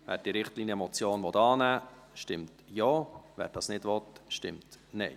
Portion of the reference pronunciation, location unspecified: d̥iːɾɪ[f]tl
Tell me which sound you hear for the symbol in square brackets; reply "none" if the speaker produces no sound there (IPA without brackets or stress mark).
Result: χ